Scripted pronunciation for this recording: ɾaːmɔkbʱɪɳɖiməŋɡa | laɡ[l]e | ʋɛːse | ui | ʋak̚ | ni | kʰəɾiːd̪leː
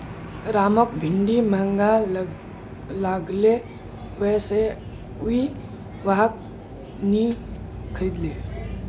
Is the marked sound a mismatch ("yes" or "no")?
no